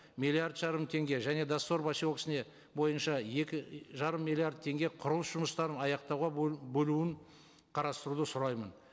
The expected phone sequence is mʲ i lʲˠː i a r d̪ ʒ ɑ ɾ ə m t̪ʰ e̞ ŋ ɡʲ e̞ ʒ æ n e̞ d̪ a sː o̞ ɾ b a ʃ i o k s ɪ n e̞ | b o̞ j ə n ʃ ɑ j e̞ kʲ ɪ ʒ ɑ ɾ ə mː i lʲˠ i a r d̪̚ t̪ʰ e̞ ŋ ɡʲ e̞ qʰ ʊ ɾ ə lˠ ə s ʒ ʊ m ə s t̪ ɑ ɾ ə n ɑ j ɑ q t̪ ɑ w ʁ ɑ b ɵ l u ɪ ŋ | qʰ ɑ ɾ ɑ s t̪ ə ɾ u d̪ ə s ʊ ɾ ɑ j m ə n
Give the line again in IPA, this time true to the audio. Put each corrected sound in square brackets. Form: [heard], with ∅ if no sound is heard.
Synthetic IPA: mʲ i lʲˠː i a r d̪ ʒ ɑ ɾ ə m t̪ʰ e̞ ŋ ɡʲ e̞ ʒ æ n e̞ d̪ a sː o̞ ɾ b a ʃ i o k s ɪ n e̞ | b o̞ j ə n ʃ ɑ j e̞ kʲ ɪ ʒ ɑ ɾ ə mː i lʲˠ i a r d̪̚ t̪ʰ e̞ ŋ ɡʲ e̞ qʰ ʊ ɾ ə lˠ ə s ʒ ʊ m ə s t̪ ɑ ɾ ə n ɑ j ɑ q t̪ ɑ w ʁ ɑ b ɵ l u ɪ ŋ | qʰ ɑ ɾ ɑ s t̪ ə ɾ u d̪ ə s ʊ ɾ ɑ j m ə n